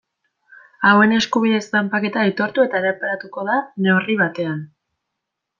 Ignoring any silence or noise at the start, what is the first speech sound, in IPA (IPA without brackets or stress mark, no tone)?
a